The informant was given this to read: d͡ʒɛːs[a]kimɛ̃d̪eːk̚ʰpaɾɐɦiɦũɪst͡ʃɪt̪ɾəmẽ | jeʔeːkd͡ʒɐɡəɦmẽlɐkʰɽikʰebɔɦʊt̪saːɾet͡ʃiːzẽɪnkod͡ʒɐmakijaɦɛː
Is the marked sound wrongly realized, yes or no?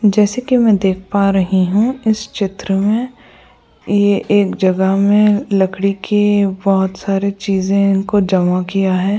yes